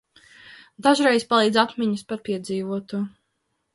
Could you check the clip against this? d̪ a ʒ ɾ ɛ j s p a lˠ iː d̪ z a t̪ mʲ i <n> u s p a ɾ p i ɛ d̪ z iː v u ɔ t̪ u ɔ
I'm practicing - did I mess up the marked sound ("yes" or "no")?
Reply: yes